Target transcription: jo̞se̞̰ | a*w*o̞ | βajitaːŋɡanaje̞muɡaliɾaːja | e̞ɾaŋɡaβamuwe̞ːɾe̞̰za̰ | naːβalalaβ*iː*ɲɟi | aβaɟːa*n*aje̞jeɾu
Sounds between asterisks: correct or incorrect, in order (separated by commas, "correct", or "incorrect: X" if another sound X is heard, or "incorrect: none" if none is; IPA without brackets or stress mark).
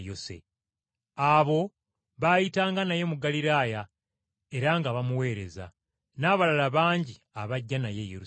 incorrect: β, incorrect: aː, correct